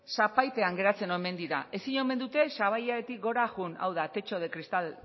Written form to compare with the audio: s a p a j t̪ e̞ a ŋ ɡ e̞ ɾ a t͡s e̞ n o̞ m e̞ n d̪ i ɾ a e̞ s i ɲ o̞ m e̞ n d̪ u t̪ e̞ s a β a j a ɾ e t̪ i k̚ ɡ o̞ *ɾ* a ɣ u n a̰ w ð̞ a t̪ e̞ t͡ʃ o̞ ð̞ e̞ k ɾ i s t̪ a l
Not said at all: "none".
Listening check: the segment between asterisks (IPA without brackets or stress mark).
ɾ